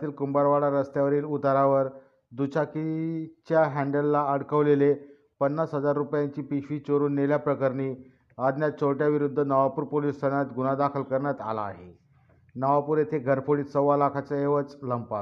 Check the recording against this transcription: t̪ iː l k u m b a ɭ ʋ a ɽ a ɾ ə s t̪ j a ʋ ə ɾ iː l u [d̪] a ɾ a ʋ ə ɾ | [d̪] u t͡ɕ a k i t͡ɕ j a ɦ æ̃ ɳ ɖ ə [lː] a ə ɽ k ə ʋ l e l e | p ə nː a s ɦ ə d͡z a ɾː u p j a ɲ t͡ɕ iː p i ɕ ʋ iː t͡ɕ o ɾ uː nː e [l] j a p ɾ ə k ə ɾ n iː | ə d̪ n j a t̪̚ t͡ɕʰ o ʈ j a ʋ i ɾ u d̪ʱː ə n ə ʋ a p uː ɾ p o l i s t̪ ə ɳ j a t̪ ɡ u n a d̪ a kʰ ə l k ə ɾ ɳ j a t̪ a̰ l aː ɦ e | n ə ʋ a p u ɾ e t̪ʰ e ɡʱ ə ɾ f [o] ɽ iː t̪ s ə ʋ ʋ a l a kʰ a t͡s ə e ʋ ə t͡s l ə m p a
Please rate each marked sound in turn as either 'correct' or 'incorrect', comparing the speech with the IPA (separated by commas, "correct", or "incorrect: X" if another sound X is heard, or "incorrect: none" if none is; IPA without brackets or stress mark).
incorrect: t̪, correct, correct, correct, correct